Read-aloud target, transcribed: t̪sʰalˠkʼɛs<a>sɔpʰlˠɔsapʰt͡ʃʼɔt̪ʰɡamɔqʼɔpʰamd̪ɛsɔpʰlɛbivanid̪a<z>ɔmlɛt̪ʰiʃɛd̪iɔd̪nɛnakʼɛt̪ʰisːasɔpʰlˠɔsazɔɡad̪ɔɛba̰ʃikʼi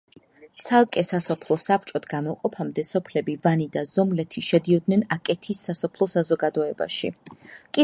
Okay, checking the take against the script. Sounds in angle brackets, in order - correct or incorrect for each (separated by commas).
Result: correct, correct